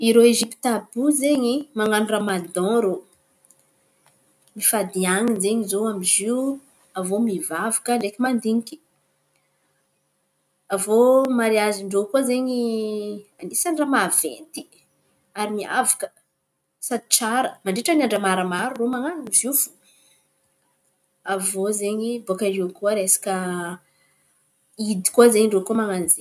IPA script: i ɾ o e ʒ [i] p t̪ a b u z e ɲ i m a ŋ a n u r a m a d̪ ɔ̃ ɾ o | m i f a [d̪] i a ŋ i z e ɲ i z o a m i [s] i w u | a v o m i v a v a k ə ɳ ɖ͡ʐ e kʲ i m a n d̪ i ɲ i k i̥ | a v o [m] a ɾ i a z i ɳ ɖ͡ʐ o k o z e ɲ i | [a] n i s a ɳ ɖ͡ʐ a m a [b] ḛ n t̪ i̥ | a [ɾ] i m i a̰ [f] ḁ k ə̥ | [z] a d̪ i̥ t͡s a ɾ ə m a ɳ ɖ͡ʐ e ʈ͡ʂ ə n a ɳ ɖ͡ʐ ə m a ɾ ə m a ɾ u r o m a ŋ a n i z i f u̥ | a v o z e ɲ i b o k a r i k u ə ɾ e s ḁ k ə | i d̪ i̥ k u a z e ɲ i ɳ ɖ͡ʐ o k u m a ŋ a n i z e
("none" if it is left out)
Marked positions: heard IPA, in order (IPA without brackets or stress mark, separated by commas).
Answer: i, d̪, z, m, a, v, ɾ, v, s